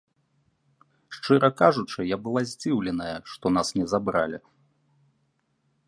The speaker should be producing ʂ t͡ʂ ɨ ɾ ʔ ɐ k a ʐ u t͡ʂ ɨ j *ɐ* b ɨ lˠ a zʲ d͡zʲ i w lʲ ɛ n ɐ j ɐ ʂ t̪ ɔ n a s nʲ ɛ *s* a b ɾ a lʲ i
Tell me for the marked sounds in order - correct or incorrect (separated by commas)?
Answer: incorrect, incorrect